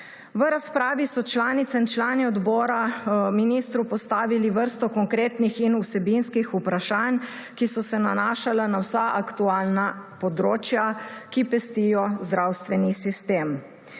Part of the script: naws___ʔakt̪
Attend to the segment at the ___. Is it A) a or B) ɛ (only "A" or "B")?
A